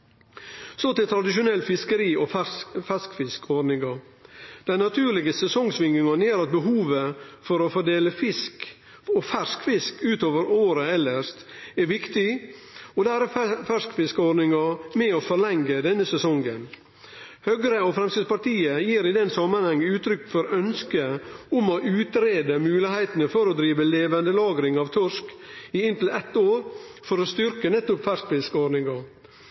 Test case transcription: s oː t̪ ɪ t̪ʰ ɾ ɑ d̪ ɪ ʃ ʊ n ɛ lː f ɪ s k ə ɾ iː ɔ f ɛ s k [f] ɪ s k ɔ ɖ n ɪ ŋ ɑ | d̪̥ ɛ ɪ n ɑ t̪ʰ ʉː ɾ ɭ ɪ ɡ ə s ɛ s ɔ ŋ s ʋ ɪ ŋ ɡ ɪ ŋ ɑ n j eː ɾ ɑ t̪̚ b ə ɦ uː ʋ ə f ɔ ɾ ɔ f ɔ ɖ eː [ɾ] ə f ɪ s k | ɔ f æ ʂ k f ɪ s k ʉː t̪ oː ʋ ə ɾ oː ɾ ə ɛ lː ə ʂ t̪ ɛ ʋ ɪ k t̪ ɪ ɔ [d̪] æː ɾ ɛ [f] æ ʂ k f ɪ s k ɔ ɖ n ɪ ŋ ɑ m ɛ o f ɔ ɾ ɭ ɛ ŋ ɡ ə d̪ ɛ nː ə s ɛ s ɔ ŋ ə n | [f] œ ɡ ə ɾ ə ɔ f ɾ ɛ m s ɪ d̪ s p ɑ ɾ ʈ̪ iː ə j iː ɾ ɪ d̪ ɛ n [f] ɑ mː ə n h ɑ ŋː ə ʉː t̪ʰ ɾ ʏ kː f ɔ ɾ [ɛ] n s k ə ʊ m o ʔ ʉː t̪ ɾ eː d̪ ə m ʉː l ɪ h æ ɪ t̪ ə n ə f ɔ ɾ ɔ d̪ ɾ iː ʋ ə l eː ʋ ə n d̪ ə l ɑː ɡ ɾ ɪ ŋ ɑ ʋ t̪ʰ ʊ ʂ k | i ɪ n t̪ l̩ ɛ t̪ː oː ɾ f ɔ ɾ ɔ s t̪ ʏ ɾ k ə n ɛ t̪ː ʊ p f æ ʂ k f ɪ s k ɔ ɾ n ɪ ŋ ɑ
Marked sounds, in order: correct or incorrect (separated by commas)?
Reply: correct, incorrect, correct, correct, incorrect, incorrect, incorrect